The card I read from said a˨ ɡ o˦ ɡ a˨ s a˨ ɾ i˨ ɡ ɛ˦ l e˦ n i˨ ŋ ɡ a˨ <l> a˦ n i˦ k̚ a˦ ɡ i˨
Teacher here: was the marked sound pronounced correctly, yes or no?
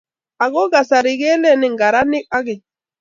no